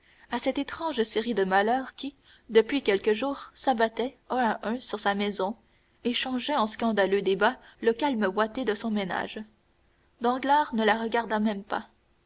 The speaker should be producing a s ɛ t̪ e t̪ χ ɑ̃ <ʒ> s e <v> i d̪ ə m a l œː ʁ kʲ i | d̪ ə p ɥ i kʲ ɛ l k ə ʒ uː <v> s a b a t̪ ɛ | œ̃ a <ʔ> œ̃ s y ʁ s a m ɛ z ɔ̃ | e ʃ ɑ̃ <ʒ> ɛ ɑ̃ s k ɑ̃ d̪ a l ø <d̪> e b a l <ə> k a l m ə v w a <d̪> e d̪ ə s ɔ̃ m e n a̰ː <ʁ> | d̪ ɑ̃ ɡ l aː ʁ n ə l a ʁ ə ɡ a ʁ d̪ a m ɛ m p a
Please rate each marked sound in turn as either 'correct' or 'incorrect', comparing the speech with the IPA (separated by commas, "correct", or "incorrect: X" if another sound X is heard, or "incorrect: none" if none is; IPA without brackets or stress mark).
correct, incorrect: ʁ, incorrect: ʁ, correct, correct, correct, correct, incorrect: t̪, incorrect: ʒ